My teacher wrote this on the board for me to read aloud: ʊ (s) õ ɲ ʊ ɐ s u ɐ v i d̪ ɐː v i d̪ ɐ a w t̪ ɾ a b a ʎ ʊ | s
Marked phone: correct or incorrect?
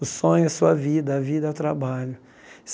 correct